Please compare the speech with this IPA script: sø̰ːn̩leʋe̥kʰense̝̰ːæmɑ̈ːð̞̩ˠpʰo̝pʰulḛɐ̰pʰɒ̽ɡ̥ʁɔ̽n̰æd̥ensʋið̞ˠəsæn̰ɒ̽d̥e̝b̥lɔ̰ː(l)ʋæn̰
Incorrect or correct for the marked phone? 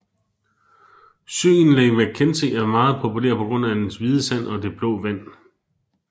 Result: incorrect: none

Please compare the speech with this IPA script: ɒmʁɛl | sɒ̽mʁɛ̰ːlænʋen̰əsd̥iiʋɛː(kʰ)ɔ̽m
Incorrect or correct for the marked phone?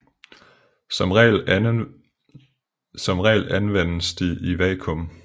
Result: correct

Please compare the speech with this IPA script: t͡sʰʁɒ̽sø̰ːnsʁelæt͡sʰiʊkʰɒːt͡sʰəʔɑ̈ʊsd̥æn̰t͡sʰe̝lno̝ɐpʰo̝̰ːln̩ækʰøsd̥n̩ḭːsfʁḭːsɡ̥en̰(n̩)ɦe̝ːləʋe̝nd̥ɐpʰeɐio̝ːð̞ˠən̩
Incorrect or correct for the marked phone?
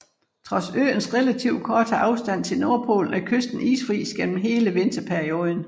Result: incorrect: m̩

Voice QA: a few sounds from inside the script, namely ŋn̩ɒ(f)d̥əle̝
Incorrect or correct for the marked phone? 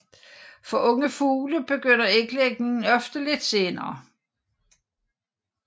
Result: correct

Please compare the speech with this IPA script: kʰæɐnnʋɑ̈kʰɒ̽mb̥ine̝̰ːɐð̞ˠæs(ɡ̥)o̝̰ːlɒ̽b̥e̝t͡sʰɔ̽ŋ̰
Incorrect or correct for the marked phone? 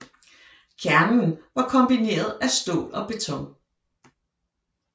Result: incorrect: d̥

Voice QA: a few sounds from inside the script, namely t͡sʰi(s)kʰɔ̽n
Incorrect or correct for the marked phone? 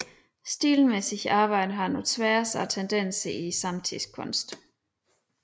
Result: correct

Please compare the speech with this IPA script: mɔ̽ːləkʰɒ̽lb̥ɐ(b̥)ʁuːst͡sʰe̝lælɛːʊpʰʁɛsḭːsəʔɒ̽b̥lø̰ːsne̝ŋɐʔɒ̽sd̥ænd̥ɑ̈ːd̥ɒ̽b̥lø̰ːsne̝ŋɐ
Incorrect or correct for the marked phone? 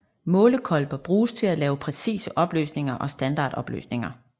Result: correct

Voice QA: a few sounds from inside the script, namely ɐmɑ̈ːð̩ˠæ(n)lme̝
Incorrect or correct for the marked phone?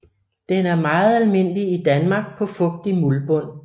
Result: incorrect: none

